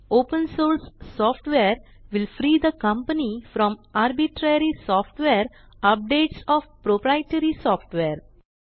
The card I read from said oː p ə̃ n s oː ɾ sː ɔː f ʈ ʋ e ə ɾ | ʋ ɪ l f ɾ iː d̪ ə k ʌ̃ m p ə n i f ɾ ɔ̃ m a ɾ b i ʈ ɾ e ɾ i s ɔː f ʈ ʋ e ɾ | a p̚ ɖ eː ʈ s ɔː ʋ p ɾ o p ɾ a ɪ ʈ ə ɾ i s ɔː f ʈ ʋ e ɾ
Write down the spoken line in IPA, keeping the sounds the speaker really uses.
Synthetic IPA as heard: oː p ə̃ n s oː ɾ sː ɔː f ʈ ʋ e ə ɾ | ʋ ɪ l f ɾ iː d̪ ə k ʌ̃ m p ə n i f ɾ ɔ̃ m a ɾ b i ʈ ɾ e ɾ i s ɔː f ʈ ʋ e ɾ | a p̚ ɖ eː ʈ s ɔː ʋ p ɾ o p ɾ a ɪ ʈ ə ɾ i s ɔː f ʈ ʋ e ɾ